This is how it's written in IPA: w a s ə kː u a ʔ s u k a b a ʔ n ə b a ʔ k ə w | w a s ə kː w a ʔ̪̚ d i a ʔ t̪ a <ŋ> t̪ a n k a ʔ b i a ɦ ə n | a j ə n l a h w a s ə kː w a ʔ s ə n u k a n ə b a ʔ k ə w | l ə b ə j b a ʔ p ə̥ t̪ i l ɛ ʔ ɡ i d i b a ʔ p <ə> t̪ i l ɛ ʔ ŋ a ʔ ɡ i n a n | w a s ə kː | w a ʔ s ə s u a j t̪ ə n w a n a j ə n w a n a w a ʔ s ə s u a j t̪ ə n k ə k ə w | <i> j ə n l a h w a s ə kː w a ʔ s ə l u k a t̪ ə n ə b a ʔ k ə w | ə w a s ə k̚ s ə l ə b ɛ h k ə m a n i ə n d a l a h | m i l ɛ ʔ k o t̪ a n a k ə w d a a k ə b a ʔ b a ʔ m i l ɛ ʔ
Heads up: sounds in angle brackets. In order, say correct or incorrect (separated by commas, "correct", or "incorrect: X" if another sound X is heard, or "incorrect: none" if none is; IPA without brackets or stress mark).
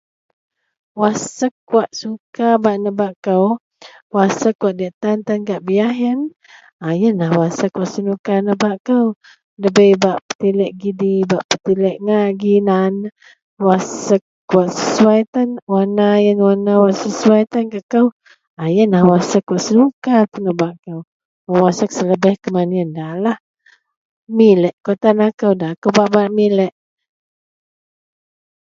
incorrect: n, correct, incorrect: a